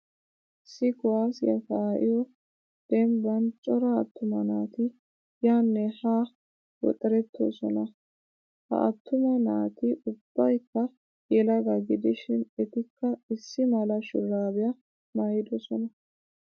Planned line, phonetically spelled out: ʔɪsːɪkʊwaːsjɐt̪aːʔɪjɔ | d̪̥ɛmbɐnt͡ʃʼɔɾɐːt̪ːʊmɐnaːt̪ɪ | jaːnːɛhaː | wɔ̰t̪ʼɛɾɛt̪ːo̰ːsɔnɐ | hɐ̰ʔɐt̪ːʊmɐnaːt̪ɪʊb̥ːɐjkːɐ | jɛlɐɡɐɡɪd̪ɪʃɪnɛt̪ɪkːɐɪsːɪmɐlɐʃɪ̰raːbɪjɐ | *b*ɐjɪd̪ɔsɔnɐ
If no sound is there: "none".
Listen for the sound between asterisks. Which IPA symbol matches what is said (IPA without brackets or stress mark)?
m